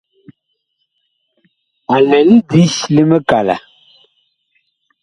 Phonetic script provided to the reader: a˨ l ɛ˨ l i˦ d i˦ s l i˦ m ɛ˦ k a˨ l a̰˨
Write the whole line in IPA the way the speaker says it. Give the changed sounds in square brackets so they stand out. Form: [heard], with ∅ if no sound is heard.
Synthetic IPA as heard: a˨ l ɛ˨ l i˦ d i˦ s l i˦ m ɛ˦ k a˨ l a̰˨